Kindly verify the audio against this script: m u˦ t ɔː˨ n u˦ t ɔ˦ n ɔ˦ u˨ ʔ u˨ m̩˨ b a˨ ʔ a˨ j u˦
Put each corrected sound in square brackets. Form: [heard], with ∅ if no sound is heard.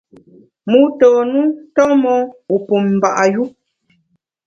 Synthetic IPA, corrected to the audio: m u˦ t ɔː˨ n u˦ t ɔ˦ [m] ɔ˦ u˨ [p] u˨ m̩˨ b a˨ ʔ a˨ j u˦